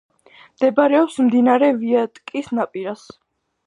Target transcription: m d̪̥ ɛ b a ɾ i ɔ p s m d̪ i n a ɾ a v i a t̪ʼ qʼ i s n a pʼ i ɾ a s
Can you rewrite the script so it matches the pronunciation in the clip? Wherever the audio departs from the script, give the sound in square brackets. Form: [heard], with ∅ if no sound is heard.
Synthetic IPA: m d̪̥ ɛ b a ɾ [ɛ] ɔ p s m d̪ i n a ɾ [ɛ] v i a t̪ʼ [kʼ] i s n a pʼ i ɾ a s